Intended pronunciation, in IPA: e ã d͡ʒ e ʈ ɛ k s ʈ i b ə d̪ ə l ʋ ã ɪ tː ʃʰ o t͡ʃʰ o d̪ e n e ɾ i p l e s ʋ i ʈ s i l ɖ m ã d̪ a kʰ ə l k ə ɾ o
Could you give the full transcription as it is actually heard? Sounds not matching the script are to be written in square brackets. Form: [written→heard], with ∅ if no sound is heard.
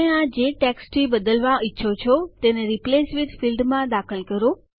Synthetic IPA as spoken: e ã d͡ʒ e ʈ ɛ k s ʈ i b ə d̪ ə l ʋ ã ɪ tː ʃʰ o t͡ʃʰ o [d̪→t̪] e n e ɾ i p l e s ʋ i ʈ [s→f] i l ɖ m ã d̪ a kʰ ə l k ə ɾ o